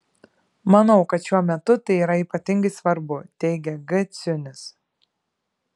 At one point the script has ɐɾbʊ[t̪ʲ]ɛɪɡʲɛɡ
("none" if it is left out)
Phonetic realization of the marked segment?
t̪ʲ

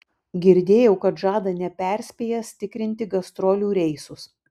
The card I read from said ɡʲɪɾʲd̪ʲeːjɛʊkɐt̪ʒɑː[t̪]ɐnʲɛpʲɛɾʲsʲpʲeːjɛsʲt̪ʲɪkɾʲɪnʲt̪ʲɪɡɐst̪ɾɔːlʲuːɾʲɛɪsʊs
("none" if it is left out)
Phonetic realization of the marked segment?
d̪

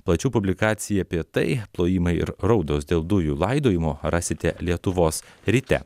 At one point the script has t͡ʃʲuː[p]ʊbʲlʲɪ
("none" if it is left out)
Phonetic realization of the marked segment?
p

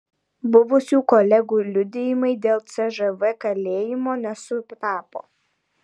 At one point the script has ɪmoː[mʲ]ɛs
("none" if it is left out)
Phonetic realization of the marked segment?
nʲ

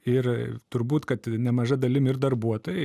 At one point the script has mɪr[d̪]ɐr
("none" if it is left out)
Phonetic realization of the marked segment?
d̪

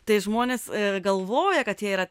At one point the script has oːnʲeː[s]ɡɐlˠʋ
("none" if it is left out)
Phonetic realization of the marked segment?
s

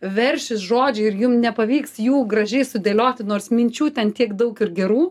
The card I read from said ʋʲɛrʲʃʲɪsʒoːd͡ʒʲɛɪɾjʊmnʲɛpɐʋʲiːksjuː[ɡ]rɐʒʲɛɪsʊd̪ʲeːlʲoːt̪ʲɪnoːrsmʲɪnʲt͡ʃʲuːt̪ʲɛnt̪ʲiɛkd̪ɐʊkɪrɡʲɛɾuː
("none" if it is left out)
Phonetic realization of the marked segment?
ɡ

